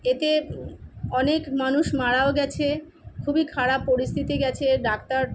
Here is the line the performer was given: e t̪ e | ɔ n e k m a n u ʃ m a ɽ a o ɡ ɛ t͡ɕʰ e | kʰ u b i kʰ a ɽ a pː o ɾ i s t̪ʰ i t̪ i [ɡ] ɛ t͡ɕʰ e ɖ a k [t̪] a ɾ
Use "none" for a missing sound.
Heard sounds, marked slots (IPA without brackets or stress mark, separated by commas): ɡ, t̪